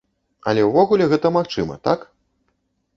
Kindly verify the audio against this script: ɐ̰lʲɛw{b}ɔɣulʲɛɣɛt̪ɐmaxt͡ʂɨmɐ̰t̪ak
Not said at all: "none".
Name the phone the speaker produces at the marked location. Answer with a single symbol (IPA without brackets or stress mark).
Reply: v